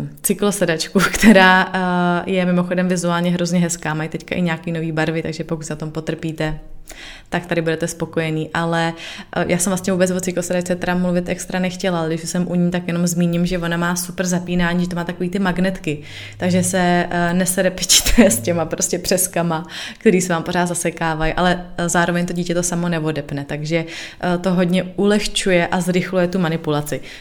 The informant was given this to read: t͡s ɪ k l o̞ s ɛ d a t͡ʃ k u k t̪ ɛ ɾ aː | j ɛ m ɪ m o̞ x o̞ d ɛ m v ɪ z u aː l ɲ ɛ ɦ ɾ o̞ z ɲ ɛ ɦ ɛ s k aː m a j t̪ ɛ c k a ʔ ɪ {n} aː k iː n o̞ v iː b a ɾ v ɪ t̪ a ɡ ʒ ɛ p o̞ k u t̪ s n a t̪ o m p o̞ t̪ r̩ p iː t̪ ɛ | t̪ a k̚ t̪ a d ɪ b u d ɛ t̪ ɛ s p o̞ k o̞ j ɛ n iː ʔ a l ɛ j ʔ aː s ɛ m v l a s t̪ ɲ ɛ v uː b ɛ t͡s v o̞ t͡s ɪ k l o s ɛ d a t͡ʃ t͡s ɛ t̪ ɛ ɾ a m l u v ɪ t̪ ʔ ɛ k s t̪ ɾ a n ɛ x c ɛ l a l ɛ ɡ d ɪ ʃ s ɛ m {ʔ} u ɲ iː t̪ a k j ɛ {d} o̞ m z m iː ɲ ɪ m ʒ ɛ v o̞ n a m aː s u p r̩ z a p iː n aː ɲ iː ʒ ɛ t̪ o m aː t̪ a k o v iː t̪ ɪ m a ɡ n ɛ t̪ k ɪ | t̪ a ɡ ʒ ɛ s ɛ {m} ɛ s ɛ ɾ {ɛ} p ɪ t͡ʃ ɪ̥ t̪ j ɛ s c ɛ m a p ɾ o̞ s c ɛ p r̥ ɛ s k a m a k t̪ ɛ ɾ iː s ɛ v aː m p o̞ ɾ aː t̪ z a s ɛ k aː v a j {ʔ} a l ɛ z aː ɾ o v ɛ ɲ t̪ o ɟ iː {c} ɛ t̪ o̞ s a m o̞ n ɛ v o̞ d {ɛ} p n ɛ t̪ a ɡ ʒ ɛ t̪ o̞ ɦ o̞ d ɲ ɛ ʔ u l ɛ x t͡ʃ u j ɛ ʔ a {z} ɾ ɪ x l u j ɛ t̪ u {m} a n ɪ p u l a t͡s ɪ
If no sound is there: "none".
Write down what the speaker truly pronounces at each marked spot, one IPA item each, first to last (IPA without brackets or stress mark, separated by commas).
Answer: ɲ, ʔ, n, n, ɛ, ʔ, c, ɛ, z, m